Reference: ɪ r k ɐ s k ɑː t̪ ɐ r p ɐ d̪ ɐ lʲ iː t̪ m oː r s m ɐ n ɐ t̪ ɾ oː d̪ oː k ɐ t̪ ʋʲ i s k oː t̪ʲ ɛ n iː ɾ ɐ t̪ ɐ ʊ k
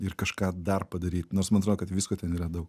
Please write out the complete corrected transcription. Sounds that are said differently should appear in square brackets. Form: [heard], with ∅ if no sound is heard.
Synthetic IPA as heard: ɪ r k ɐ [ʃ] k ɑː [d̪] ɐ r p ɐ d̪ ɐ [ɾʲ] iː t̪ [n] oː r s m ɐ n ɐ t̪ ɾ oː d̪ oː k ɐ t̪ ʋʲ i s k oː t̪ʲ ɛ n iː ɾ ɐ [d̪] ɐ ʊ k

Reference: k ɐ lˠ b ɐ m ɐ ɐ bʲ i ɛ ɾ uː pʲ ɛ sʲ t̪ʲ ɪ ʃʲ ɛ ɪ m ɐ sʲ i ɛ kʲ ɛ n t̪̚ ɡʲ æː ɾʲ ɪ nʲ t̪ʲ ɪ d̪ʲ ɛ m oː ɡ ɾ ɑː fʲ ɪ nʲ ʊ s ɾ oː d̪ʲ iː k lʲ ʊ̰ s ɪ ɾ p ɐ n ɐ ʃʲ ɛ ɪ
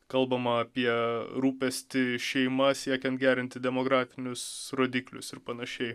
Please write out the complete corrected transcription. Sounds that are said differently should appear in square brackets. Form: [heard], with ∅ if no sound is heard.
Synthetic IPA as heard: k ɐ lˠ b ɐ m ɐ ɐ [pʲ] i ɛ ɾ uː pʲ ɛ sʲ t̪ʲ ɪ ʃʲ ɛ ɪ m ɐ sʲ i ɛ kʲ ɛ n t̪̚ ɡʲ æː ɾʲ ɪ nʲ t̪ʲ ɪ d̪ʲ ɛ m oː ɡ ɾ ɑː fʲ ɪ nʲ ʊ s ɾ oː d̪ʲ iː k lʲ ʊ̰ s ɪ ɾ p ɐ n ɐ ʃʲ ɛ ɪ

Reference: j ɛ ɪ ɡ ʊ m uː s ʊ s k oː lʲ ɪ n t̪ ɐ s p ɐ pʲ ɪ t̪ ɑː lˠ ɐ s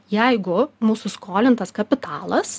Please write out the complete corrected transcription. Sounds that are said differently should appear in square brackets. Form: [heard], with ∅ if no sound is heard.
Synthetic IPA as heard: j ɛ ɪ ɡ ʊ m uː s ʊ s k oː lʲ ɪ n t̪ ɐ s [k] ɐ pʲ ɪ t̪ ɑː lˠ ɐ s

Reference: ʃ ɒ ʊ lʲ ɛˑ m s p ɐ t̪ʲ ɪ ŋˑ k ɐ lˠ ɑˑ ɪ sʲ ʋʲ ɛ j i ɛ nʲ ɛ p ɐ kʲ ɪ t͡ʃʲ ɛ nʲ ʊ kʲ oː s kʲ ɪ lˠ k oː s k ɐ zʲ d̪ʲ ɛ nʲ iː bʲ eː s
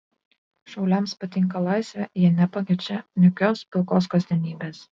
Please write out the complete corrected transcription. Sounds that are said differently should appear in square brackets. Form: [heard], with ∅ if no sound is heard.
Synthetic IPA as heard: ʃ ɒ ʊ lʲ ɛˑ m s p ɐ t̪ʲ ɪ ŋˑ k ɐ lˠ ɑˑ ɪ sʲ ʋʲ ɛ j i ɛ nʲ ɛ p ɐ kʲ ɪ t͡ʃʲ ɛ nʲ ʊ kʲ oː s [pʲ] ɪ lˠ k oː s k ɐ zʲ d̪ʲ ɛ nʲ iː bʲ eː s

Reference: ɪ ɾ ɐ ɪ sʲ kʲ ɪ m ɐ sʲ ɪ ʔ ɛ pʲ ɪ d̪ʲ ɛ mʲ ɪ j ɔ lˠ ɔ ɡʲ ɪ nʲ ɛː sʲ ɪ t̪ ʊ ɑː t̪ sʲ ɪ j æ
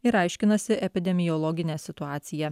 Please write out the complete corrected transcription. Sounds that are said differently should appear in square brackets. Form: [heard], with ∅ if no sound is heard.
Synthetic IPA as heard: ɪ ɾ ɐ ɪ [ʃʲ] kʲ ɪ [n] ɐ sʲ ɪ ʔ ɛ pʲ ɪ d̪ʲ ɛ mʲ ɪ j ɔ lˠ ɔ ɡʲ ɪ nʲ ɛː sʲ ɪ t̪ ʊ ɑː t̪ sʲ ɪ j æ

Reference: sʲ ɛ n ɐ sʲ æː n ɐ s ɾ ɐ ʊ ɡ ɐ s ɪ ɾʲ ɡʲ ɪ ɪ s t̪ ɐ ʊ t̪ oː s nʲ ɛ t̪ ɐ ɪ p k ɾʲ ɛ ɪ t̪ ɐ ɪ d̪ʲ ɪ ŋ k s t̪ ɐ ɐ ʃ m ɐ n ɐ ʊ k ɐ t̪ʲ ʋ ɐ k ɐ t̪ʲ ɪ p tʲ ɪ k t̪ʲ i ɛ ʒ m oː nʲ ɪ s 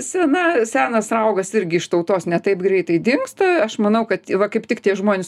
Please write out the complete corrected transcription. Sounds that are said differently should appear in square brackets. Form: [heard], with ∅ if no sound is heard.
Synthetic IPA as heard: sʲ ɛ n ɐ sʲ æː n ɐ s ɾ ɐ ʊ ɡ ɐ s ɪ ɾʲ ɡʲ ɪ ɪ [ʃ] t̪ ɐ ʊ t̪ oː s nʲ ɛ t̪ ɐ ɪ p [ɡ] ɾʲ ɛ ɪ t̪ ɐ ɪ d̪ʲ ɪ ŋ k s t̪ ɐ ɐ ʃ m ɐ n ɐ ʊ k ɐ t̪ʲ ʋ ɐ k ɐ [∅] ɪ p tʲ ɪ k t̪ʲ i ɛ ʒ m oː nʲ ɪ s

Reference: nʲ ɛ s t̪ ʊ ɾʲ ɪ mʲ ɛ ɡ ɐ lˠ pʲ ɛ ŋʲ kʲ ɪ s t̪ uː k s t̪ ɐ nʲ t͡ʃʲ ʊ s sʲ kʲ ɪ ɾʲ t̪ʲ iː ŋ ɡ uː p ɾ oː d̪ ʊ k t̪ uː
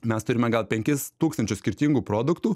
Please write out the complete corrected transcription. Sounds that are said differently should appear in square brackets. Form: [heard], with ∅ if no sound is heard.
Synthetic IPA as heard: [mʲ] ɛ s t̪ ʊ ɾʲ ɪ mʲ ɛ ɡ ɐ lˠ pʲ ɛ ŋʲ kʲ ɪ s t̪ uː k s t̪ ɐ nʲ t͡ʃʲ ʊ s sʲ kʲ ɪ ɾʲ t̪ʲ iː ŋ ɡ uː p ɾ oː d̪ ʊ k t̪ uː

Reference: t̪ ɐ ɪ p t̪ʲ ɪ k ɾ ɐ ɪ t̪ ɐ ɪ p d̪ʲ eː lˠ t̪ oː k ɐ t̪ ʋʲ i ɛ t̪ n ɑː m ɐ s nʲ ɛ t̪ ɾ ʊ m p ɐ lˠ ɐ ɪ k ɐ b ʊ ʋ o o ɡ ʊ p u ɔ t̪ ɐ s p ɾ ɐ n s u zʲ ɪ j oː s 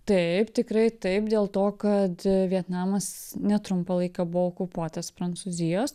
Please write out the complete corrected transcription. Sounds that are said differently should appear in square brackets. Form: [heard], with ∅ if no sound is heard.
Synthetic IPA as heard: t̪ ɐ ɪ p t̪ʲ ɪ k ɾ ɐ ɪ t̪ ɐ ɪ p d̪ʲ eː lˠ t̪ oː k ɐ t̪ ʋʲ i ɛ t̪ n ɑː m ɐ s nʲ ɛ t̪ ɾ ʊ m p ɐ lˠ ɐ ɪ k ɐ b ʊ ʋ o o [k] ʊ p u ɔ t̪ ɐ s p ɾ ɐ n s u zʲ ɪ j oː s

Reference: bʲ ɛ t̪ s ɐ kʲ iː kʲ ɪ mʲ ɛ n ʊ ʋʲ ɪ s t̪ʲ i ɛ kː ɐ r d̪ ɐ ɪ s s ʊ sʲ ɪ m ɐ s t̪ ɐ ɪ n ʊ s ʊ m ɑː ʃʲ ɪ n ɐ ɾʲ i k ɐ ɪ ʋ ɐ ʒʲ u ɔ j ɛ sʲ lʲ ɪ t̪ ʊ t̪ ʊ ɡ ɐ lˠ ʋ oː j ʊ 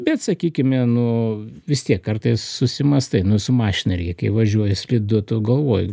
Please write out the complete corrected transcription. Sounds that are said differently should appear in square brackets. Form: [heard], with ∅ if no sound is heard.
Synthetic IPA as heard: bʲ ɛ t̪ s ɐ kʲ iː kʲ ɪ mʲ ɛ n ʊ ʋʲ ɪ s t̪ʲ i ɛ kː ɐ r [t̪] ɐ ɪ s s ʊ sʲ ɪ m ɐ s t̪ ɐ ɪ n ʊ s ʊ m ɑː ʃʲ ɪ n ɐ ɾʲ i k ɐ ɪ ʋ ɐ ʒʲ u ɔ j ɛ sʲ lʲ ɪ [d̪] ʊ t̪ ʊ ɡ ɐ lˠ ʋ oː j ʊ

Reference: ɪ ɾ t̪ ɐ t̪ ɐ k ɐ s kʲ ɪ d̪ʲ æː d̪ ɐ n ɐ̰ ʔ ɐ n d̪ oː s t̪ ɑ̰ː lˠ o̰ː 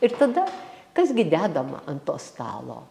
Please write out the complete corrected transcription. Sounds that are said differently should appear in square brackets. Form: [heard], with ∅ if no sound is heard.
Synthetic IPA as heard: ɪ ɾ t̪ ɐ [d̪] ɐ k ɐ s [ɡʲ] ɪ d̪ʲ æː d̪ ɐ [m] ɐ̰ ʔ ɐ n [t̪] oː s t̪ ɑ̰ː lˠ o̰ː

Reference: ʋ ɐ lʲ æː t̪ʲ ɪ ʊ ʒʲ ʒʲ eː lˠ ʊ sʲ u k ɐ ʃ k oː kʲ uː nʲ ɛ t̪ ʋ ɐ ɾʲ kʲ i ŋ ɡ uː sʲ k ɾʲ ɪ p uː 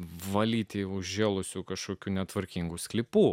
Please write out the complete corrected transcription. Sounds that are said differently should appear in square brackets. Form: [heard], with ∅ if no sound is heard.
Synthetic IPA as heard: ʋ ɐ lʲ [iː] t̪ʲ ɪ ʊ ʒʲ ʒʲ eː lˠ ʊ sʲ u k ɐ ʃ k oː kʲ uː nʲ ɛ t̪ ʋ ɐ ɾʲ kʲ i ŋ ɡ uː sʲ k [lʲ] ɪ p uː

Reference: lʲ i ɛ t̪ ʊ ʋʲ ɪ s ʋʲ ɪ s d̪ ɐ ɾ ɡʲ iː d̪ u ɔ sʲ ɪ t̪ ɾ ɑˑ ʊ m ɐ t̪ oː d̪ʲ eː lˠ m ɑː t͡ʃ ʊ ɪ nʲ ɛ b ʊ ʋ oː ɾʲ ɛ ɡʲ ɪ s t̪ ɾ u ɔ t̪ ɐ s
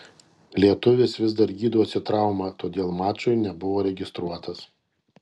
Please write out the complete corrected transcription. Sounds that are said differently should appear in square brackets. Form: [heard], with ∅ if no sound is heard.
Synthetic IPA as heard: lʲ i ɛ t̪ ʊ ʋʲ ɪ s ʋʲ ɪ [z] d̪ ɐ ɾ ɡʲ iː d̪ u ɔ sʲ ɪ t̪ ɾ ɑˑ ʊ m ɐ t̪ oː d̪ʲ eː lˠ m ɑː t͡ʃ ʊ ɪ nʲ ɛ b ʊ ʋ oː ɾʲ ɛ ɡʲ ɪ s t̪ ɾ u ɔ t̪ ɐ s

